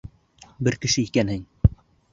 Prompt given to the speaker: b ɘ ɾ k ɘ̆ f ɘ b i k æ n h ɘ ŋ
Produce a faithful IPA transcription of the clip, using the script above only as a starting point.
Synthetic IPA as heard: b ɘ ɾ k ɘ̆ ʃ ɘ i k æ n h ɘ ŋ